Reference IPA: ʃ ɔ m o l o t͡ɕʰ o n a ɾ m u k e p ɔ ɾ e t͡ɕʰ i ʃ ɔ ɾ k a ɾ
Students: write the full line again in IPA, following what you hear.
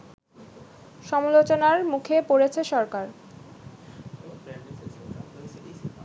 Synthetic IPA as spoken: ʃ ɔ m o l o t͡ɕ o n a ɾ m u kʰ e p o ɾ e t͡ɕʰ e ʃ ɔ ɾ k a ɾ